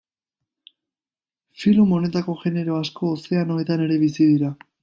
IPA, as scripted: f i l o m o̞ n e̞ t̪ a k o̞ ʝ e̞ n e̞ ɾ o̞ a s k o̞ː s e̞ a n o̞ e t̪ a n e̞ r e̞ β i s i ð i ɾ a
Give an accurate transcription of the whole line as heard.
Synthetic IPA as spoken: f i l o m o̞ n e̞ t̪ a k o̞ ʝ e̞ n e̞ ɾ o̞ a s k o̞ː s e̞ a n o̞ e t̪ a n e̞ ɾ e̞ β i s i ð i ɾ a